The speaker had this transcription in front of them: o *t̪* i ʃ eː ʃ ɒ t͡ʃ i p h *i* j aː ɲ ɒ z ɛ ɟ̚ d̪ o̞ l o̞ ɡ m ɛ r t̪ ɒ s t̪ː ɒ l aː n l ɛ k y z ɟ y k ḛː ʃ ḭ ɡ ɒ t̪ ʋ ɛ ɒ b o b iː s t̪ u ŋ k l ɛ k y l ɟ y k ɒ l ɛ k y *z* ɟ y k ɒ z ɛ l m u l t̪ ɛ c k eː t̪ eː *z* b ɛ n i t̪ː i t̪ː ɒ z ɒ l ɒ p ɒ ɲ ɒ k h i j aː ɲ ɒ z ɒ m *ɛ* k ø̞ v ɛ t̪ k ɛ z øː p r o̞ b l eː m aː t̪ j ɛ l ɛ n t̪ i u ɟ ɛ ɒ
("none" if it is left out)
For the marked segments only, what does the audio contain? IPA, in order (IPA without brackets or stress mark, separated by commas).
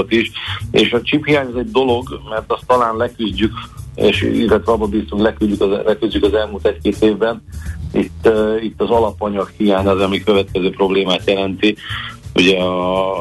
t̪, i, z, v, i